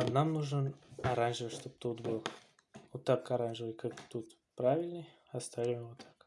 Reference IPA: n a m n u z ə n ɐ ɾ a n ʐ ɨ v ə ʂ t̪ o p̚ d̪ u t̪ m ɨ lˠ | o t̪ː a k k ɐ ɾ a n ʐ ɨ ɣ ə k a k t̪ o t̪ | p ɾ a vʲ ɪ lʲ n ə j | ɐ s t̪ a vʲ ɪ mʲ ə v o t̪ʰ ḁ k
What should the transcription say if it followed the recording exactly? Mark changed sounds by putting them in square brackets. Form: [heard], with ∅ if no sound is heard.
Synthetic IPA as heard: n a m n u [ʐ] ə n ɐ ɾ a n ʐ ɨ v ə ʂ t̪ o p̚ [t̪] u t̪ [b] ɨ lˠ | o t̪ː a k k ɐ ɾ a n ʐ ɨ [v] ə k a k t̪ [u] t̪ | p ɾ a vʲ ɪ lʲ n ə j | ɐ s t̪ a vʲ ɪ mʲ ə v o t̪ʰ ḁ k

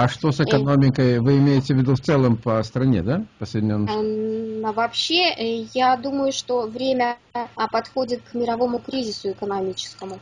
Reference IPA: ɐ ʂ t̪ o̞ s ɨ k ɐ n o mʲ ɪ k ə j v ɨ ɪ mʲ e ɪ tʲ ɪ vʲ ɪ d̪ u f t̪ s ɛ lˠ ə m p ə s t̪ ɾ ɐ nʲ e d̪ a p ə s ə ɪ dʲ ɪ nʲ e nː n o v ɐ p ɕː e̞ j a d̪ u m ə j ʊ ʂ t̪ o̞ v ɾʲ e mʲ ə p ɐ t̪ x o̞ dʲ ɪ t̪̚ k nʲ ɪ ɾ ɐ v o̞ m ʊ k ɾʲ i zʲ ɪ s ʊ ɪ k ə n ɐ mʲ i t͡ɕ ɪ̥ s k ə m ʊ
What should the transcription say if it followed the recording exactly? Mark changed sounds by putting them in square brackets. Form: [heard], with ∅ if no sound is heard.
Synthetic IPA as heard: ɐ ʂ t̪ o̞ s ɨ k ɐ n o mʲ ɪ k ə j v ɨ ɪ mʲ e ɪ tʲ ɪ vʲ ɪ d̪ u f t̪ s ɛ lˠ ə m p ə s t̪ ɾ ɐ nʲ e d̪ a p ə s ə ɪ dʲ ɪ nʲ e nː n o v ɐ p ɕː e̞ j a d̪ u m ə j ʊ ʂ t̪ o̞ v ɾʲ e mʲ ə p ɐ t̪ x o̞ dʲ ɪ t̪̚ k [mʲ] ɪ ɾ ɐ v o̞ m ʊ k ɾʲ i zʲ ɪ s ʊ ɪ k ə n ɐ mʲ i t͡ɕ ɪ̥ s k ə m ʊ

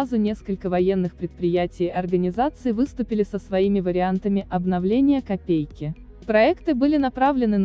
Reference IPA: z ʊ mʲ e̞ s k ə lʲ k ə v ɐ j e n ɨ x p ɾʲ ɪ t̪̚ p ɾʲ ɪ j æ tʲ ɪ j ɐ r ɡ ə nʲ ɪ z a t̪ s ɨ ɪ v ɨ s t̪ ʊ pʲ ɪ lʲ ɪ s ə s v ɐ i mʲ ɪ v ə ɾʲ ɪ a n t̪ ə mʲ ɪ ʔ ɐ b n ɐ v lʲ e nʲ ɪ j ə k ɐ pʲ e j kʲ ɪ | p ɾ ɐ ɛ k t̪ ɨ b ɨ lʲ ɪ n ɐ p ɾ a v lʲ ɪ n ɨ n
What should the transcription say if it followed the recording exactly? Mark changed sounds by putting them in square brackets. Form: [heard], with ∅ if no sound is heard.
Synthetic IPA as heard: z ʊ [nʲ] e̞ s k ə lʲ k ə v ɐ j e [nː] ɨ x p ɾʲ ɪ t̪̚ p ɾʲ ɪ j æ tʲ ɪ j ɐ r ɡ ə nʲ ɪ z a t̪ s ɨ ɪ v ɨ s t̪ ʊ pʲ ɪ lʲ ɪ s ə s v ɐ i mʲ ɪ v ə ɾʲ ɪ a n t̪ ə mʲ ɪ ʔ ɐ b n ɐ v lʲ e nʲ ɪ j ə k ɐ pʲ e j kʲ ɪ | p ɾ ɐ ɛ k t̪ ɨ b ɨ lʲ ɪ n ɐ p ɾ a v lʲ ɪ n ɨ n

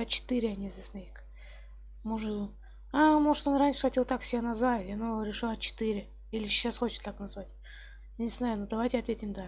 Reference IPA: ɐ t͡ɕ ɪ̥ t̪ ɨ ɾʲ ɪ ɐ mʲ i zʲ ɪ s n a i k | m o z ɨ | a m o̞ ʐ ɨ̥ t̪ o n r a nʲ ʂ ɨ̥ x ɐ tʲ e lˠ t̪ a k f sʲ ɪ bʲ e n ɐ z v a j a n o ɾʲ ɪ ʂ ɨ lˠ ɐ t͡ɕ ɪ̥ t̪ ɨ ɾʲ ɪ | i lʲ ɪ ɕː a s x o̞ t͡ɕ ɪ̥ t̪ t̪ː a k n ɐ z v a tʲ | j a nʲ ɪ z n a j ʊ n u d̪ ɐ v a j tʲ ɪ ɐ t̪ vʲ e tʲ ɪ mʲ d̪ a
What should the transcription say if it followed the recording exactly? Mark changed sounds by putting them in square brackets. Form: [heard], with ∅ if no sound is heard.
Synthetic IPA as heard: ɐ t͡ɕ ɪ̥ t̪ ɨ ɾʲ ɪ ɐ [nʲ] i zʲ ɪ s n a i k | m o [ʐ] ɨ | a m o̞ ʐ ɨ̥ t̪ o n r a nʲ ʂ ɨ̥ x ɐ tʲ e lˠ t̪ a k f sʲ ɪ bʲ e n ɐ z v a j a n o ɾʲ ɪ ʂ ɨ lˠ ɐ t͡ɕ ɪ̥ t̪ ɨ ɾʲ ɪ | i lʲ ɪ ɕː a s x o̞ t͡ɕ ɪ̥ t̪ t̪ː a k n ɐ z v a tʲ | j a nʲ ɪ z n a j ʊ n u d̪ ɐ v a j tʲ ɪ ɐ t̪ vʲ e tʲ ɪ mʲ d̪ a

